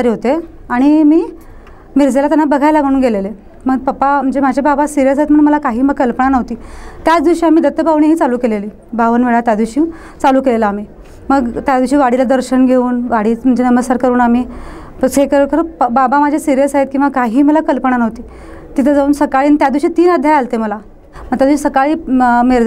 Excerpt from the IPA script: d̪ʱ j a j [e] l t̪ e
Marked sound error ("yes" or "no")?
yes